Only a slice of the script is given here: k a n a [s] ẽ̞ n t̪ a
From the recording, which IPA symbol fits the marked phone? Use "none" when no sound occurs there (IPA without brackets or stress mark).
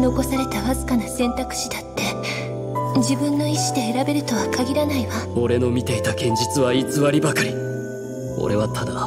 s